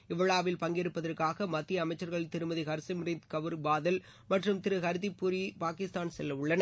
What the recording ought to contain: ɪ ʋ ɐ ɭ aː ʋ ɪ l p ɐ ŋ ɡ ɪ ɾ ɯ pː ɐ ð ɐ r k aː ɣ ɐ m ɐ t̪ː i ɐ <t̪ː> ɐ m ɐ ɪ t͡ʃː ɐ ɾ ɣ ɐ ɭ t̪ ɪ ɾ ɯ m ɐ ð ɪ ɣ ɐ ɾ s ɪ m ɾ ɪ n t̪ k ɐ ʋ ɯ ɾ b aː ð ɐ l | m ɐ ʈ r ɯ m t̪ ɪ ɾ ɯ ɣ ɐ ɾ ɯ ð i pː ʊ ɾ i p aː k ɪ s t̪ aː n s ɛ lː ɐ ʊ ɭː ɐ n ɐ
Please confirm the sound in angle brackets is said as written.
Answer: no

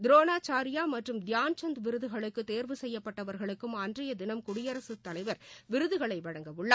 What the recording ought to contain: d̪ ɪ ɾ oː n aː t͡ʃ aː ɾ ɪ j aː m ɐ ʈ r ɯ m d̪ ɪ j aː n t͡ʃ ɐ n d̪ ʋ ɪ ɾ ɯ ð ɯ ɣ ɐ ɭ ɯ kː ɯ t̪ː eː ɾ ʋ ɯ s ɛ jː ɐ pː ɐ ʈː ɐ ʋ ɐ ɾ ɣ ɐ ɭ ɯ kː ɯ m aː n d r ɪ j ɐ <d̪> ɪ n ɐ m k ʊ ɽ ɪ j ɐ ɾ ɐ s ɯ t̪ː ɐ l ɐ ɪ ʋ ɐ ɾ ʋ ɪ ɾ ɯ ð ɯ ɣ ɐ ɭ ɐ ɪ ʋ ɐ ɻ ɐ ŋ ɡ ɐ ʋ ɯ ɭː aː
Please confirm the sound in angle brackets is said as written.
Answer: yes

